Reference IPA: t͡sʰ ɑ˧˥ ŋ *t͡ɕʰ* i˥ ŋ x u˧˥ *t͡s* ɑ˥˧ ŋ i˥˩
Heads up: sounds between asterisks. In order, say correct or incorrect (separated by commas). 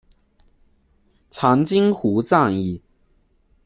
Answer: incorrect, correct